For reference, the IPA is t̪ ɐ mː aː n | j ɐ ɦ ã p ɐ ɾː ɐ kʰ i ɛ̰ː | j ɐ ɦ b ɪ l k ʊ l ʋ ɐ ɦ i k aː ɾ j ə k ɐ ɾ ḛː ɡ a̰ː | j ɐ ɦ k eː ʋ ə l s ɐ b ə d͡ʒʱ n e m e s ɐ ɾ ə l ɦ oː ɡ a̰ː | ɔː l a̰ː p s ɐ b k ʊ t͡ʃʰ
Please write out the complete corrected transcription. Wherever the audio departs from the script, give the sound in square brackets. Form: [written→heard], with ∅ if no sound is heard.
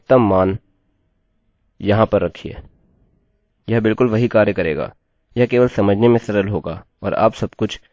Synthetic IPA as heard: t̪ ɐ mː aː n | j ɐ ɦ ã p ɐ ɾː ɐ kʰ i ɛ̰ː | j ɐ ɦ b ɪ l k ʊ l ʋ ɐ ɦ i k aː ɾ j ə k ɐ ɾ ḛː ɡ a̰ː | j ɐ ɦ k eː ʋ ə l s ɐ [b→m] ə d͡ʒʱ n e m [e→ẽ] s ɐ ɾ ə l ɦ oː ɡ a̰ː | ɔː [l→ɾ] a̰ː p s ɐ b k ʊ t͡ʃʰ